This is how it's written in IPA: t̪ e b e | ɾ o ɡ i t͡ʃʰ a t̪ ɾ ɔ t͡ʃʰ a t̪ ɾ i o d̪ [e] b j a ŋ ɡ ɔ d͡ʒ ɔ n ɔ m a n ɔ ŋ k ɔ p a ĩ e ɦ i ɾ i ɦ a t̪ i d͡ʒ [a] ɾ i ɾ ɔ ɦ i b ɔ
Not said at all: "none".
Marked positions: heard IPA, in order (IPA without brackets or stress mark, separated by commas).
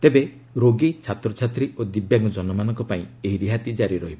i, a